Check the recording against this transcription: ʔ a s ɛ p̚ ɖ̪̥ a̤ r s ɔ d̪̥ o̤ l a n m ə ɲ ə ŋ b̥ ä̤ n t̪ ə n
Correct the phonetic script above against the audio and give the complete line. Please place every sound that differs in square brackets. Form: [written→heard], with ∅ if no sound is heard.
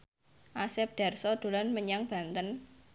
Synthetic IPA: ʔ a s ɛ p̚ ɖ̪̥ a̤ r s ɔ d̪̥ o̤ l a n m ə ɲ [ə→a] ŋ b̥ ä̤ n t̪ ə n